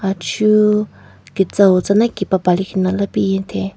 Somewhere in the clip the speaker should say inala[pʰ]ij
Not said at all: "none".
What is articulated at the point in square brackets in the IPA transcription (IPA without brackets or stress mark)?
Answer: p